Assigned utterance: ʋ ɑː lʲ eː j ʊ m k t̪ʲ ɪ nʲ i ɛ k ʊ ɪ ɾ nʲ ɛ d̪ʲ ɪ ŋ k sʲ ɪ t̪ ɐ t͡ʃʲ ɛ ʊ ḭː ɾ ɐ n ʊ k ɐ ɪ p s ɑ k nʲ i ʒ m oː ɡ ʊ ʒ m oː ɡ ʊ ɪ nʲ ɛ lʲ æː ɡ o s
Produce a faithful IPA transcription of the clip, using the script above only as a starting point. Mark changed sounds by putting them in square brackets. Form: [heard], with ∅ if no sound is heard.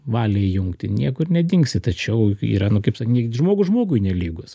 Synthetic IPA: ʋ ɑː lʲ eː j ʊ [ŋ] k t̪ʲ ɪ nʲ i ɛ k ʊ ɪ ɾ nʲ ɛ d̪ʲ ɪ ŋ k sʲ ɪ t̪ ɐ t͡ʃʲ ɛ ʊ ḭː ɾ ɐ n ʊ k ɐ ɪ p s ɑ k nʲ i ʒ m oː ɡ ʊ ʒ m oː ɡ ʊ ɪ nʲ ɛ lʲ [iː] ɡ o s